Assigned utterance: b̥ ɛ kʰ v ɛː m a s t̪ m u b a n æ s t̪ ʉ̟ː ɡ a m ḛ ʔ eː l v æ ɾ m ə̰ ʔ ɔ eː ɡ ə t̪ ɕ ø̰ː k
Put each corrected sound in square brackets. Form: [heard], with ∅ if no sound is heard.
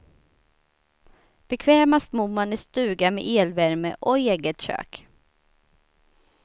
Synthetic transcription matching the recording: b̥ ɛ kʰ v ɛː m a s t̪ m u [m] a n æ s t̪ ʉ̟ː ɡ a m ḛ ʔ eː l v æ ɾ m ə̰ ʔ ɔ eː ɡ ə t̪ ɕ ø̰ː k